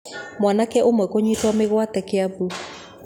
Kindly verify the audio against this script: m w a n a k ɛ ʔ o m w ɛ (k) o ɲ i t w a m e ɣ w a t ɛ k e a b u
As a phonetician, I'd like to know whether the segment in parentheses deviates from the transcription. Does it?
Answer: no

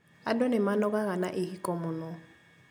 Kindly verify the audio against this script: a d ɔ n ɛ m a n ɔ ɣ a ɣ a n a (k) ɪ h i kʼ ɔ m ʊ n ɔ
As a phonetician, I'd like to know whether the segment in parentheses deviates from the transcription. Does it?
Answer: yes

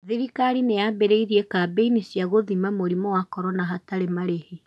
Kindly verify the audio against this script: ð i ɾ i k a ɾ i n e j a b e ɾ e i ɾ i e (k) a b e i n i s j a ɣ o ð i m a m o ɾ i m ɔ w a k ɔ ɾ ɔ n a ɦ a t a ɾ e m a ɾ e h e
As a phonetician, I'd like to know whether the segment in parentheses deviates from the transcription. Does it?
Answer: no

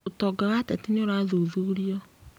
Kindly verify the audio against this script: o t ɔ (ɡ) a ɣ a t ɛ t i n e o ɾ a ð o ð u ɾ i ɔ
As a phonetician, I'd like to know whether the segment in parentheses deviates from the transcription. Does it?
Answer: no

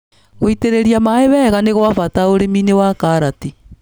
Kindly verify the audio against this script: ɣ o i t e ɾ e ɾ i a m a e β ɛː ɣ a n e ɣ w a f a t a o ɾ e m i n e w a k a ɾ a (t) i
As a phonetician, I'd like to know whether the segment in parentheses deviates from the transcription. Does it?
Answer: no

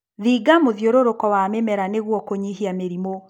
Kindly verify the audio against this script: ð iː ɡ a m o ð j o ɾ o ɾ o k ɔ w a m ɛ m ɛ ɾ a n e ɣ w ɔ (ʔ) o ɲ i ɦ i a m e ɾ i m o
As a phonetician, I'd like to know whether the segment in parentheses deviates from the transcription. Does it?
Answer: yes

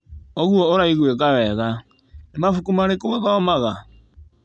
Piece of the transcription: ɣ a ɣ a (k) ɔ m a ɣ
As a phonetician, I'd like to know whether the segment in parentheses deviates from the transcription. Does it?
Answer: yes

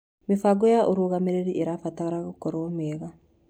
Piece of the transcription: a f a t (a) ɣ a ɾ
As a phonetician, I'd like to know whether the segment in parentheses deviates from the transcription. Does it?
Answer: no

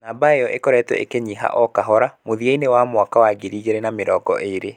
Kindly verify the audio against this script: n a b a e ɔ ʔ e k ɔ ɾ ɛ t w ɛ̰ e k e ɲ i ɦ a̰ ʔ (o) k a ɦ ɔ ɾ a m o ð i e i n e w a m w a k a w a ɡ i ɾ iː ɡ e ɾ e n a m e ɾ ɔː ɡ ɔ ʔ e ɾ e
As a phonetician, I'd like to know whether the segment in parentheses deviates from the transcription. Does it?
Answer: yes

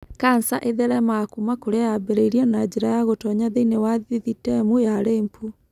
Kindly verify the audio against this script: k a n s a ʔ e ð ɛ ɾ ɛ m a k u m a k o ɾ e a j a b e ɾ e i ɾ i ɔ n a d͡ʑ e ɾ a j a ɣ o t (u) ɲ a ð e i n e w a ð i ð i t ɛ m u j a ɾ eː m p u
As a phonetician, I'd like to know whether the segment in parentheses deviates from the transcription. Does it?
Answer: yes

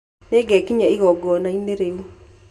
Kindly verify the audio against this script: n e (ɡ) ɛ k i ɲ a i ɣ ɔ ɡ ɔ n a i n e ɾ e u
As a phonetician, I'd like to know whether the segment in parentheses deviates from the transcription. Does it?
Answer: no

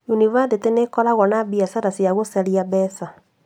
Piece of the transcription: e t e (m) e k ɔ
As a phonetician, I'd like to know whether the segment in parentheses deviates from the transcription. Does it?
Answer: yes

